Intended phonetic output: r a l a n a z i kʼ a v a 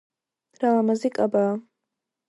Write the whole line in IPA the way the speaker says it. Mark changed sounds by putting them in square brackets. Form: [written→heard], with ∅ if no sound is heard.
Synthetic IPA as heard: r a l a [n→m] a z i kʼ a [v→b] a